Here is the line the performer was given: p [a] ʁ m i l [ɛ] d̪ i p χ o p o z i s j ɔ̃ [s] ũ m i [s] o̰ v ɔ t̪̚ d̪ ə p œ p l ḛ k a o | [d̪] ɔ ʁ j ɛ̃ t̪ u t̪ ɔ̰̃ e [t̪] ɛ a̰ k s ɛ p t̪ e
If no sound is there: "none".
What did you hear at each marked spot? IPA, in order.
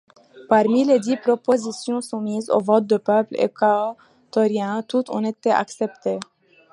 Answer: a, e, s, z, t̪, t̪

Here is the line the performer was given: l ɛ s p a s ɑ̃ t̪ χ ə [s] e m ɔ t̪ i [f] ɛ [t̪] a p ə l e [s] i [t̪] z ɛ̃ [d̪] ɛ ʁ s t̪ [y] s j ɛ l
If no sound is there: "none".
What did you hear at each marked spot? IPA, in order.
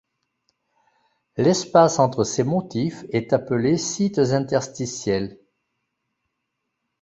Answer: s, f, t̪, s, t̪, t̪, i

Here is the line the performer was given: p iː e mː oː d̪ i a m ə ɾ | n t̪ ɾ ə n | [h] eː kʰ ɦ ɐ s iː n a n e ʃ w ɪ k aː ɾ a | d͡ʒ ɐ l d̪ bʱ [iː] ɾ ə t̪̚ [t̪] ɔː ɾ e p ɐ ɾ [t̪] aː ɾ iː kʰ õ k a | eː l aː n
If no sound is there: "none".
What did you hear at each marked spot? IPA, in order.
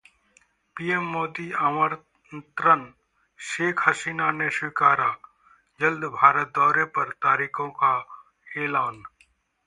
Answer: ʃ, aː, d̪, t̪

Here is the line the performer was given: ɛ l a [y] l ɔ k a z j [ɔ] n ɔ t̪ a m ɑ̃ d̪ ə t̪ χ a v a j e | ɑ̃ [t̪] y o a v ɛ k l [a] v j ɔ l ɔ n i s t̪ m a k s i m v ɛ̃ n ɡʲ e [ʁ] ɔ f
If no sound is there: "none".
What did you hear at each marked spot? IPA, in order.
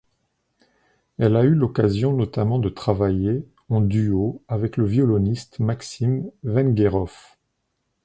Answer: y, ɔ̃, d̪, ə, ʁ

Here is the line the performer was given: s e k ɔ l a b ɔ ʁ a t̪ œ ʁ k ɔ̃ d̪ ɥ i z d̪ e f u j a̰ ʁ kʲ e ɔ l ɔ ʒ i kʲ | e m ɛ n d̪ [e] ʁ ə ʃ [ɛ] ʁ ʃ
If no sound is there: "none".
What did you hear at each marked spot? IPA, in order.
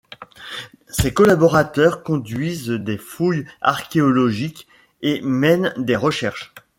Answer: e, ɛ

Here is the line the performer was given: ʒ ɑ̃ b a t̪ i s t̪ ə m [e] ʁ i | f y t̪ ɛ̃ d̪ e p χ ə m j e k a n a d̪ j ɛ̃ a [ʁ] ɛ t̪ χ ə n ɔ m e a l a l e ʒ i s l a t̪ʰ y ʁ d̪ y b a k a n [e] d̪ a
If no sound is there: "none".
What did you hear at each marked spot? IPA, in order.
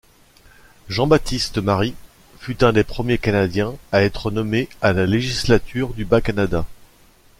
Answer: a, none, a

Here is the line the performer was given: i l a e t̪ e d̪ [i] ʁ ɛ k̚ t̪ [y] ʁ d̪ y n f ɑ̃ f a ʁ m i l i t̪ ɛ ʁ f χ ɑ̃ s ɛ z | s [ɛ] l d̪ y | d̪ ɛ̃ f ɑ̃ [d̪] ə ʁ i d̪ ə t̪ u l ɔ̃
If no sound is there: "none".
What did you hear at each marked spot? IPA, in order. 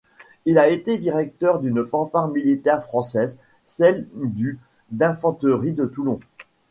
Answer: i, œ, ɛ, t̪

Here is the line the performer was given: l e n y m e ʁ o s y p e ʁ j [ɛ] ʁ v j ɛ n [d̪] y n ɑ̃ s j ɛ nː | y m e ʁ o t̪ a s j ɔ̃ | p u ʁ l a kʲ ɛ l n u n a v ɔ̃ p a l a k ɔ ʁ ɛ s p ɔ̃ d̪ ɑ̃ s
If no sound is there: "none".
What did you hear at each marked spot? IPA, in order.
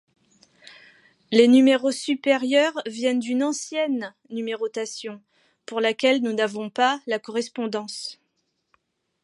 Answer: œ, d̪

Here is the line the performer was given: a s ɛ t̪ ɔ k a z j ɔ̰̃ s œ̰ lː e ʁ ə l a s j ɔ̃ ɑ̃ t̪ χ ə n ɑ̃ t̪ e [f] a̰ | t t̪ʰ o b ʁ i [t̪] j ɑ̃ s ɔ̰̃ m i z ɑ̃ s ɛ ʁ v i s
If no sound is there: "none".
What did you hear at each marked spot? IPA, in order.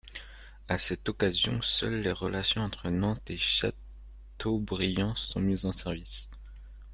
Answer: ʃ, none

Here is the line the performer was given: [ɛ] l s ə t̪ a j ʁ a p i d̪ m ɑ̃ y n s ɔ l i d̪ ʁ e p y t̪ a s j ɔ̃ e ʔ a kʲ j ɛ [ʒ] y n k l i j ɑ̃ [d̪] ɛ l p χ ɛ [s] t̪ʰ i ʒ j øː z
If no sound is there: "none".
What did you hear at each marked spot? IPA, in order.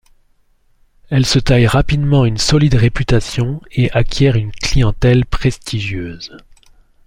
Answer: ɛ, ʁ, t̪, s

